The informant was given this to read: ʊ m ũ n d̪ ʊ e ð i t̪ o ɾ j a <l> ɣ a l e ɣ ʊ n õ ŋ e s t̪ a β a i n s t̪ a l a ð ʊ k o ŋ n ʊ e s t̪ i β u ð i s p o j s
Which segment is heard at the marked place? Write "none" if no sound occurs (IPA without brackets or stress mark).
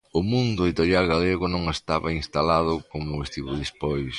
l